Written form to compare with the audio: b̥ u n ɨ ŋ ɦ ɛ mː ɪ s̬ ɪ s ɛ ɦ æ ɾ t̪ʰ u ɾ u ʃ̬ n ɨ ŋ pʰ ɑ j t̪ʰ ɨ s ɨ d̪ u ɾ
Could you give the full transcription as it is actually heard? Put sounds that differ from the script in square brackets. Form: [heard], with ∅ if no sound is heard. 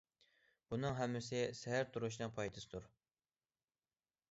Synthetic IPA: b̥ u n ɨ ŋ ɦ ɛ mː ɪ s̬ ɪ s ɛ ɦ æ ɾ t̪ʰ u ɾ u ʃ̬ n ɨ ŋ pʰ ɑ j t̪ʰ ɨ s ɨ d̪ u ɾ